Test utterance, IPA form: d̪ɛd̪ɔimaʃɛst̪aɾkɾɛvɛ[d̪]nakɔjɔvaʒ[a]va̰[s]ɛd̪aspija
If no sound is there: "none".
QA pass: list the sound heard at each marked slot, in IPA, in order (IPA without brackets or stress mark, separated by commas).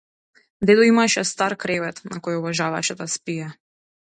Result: t̪, a, ʃ